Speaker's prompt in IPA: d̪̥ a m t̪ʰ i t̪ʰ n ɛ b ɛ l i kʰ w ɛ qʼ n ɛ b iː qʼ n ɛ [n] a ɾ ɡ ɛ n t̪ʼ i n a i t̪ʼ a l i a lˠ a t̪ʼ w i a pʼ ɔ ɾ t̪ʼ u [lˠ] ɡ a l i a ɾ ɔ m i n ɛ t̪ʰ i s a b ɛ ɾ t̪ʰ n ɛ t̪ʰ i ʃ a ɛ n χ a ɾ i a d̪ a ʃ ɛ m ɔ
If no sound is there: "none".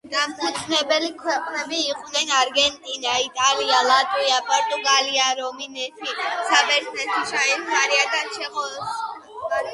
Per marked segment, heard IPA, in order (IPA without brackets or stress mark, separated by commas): n, none